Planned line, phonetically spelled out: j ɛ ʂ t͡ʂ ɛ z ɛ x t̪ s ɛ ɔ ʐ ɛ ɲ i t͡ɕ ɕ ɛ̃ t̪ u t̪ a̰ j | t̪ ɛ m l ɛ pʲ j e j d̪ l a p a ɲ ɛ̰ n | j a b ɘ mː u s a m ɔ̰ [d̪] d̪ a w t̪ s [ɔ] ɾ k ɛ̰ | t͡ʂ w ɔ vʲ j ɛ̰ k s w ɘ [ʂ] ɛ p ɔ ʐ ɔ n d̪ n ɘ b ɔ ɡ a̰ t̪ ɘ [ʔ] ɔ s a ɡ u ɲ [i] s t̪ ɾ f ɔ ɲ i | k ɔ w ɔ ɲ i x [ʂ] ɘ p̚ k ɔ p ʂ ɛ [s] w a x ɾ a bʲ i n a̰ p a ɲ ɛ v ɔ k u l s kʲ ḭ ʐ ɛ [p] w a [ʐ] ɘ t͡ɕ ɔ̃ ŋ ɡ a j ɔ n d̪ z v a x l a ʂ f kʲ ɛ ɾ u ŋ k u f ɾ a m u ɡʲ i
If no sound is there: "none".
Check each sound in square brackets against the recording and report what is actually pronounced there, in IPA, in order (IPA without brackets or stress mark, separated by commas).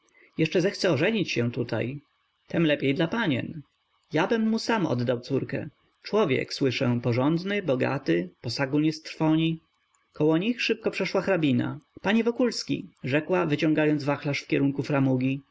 d̪, u, ʂ, p, ɛ, ʂ, ʂ, k, v